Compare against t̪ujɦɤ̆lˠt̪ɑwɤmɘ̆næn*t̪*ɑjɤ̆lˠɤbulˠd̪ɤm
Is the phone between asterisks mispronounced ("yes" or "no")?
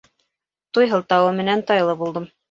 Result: no